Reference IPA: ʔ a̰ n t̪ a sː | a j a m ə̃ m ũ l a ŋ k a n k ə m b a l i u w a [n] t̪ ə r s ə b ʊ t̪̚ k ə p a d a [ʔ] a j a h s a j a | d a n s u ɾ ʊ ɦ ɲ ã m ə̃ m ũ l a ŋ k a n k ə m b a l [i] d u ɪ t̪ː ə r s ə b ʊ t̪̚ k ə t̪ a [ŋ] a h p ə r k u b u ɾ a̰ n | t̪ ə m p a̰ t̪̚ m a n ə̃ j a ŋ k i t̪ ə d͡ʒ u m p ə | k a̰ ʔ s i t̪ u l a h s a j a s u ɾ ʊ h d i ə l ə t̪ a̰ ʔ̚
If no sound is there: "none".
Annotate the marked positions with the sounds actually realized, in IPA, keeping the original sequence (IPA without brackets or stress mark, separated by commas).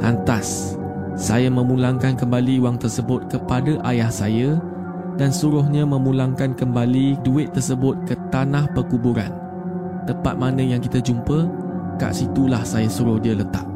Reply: ŋ, ʔ, i, n